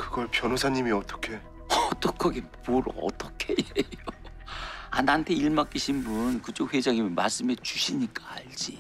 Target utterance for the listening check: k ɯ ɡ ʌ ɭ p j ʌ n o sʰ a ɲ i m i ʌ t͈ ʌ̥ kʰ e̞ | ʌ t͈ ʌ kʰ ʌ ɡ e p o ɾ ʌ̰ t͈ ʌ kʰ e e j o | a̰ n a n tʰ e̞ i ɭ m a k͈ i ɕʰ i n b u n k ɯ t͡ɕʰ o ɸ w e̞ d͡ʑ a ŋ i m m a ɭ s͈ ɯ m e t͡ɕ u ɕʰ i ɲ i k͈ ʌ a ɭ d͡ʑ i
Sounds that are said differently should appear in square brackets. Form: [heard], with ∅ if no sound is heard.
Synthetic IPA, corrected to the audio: k ɯ ɡ ʌ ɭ p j ʌ n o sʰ a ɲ i m i ʌ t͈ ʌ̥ kʰ e̞ | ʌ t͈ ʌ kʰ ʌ ɡ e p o ɾ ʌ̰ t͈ ʌ kʰ e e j o | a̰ n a n tʰ e̞ i ɭ m a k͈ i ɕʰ i n b u n k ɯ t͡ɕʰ o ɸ w e̞ d͡ʑ a ŋ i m m a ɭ s͈ ɯ m e t͡ɕ u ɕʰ i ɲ i k͈ [a] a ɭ d͡ʑ i